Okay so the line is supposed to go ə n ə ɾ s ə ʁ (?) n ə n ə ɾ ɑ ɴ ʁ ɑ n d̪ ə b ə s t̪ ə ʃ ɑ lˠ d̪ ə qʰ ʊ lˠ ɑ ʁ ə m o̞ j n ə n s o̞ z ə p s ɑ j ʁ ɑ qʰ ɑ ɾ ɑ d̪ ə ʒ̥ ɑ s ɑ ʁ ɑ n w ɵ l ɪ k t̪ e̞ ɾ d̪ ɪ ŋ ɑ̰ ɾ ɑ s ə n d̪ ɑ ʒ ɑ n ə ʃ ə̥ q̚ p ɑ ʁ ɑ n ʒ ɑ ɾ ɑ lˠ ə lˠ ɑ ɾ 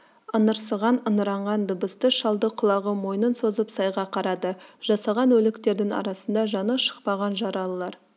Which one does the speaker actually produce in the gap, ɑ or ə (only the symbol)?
ɑ